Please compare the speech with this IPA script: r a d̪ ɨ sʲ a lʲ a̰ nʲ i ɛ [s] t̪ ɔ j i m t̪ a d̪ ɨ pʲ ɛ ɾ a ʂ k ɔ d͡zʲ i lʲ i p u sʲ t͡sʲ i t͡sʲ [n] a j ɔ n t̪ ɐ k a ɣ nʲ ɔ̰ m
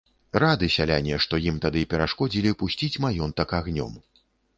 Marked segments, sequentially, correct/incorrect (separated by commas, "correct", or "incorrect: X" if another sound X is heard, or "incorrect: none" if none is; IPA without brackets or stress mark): incorrect: ʂ, incorrect: m